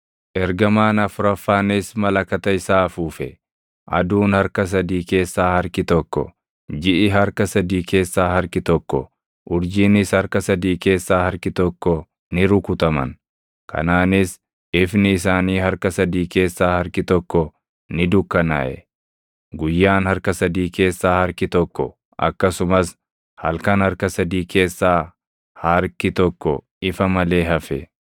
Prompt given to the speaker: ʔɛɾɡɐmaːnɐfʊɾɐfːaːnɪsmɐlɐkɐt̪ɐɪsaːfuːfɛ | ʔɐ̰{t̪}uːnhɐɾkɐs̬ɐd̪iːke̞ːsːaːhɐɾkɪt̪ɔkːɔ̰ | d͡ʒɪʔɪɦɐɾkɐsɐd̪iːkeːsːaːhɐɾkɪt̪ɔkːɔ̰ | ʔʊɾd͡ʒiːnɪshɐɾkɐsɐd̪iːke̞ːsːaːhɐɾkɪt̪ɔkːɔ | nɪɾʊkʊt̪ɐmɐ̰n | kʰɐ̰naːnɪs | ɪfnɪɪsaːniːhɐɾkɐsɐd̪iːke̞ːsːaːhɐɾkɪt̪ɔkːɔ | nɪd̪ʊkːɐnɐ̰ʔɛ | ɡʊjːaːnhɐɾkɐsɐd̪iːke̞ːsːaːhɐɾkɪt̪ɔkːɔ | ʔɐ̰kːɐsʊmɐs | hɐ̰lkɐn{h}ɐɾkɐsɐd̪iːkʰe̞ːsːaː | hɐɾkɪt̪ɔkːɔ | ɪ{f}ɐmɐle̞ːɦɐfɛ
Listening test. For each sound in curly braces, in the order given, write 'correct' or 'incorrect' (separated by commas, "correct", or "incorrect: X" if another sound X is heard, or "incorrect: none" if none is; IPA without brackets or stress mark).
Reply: incorrect: d̪, correct, correct